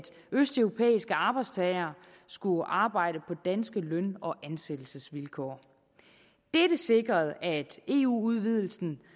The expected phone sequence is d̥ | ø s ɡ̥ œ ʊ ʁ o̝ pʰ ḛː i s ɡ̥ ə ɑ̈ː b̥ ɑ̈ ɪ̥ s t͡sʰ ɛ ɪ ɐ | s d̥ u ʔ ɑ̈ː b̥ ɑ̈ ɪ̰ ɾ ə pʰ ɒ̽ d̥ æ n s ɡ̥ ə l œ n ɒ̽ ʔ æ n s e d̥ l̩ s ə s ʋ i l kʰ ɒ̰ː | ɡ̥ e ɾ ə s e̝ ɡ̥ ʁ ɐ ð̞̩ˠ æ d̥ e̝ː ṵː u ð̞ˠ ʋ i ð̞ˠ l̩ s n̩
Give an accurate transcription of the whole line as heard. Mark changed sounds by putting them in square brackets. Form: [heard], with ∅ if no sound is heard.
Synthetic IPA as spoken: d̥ | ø s [d̥] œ ʊ ʁ o̝ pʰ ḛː i s ɡ̥ ə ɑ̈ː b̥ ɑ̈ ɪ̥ s t͡sʰ ɛ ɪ ɐ | s [ɡ̥] u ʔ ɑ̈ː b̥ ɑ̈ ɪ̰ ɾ ə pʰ ɒ̽ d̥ æ n s ɡ̥ ə l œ n ɒ̽ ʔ æ n s e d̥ l̩ s ə s ʋ i l kʰ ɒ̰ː | [d̥] e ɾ ə s e̝ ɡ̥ ʁ ɐ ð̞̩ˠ æ d̥ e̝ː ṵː u ð̞ˠ ʋ i ð̞ˠ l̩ s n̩